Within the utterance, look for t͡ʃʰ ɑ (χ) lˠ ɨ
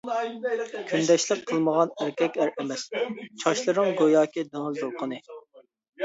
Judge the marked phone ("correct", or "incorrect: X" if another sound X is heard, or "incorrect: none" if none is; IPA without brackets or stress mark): incorrect: ʃ